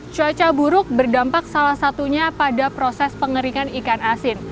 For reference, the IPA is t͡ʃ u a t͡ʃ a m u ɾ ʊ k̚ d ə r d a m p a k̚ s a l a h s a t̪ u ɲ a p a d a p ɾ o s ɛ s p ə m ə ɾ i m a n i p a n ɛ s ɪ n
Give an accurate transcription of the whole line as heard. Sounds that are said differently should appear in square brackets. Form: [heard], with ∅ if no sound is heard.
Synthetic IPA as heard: t͡ʃ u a t͡ʃ a [b] u ɾ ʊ k̚ [b] ə r d a m p a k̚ s a l a h s a t̪ u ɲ a p a d a p ɾ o s ɛ s p ə [ŋ] ə ɾ i [ŋ] a n i [k] a n [a] s ɪ n